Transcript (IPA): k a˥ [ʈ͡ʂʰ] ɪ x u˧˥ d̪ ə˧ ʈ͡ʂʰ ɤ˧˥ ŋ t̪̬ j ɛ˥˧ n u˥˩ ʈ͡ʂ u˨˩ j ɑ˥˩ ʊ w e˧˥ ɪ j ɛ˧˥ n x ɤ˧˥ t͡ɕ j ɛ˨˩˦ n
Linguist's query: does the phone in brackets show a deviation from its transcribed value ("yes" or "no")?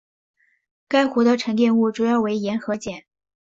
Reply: yes